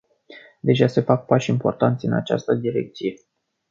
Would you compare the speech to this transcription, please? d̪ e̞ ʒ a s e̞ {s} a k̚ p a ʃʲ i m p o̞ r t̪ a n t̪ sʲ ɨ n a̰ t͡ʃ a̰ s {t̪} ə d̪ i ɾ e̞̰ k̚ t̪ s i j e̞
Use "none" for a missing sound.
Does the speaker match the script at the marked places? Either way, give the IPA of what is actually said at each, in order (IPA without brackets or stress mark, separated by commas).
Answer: f, t̪